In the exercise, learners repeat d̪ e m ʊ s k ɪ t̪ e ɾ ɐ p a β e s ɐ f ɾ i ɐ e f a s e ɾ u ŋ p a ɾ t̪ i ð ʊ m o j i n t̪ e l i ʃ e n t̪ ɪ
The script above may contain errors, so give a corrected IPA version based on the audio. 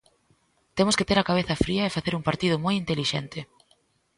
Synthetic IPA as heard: t̪ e m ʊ s k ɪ t̪ e ɾ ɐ k a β e θ ɐ f ɾ i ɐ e f a θ e ɾ u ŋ p a ɾ t̪ i ð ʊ m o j i n t̪ e l i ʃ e n t̪ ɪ